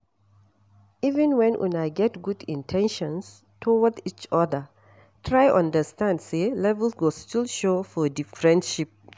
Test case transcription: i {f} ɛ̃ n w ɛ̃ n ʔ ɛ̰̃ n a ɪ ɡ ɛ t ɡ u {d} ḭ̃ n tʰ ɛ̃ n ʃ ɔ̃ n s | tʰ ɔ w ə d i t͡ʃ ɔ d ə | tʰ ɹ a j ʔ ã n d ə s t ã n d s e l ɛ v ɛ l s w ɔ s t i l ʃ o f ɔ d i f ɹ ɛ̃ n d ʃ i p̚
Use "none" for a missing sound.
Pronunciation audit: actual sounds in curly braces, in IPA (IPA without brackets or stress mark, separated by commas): v, d